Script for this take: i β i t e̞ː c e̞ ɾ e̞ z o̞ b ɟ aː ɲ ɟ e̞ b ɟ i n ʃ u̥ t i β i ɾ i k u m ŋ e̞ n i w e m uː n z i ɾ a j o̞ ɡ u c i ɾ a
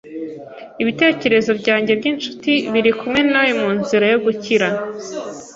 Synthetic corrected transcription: i β i t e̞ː c e̞ ɾ e̞ z o̞ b ɟ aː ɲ ɟ e̞ b ɟ i n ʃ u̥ t i β i ɾ i k u m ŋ e̞ n a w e m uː n z i ɾ a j o̞ ɡ u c i ɾ a